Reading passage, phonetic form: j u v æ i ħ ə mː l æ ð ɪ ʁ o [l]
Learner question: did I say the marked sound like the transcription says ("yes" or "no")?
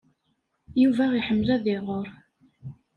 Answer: no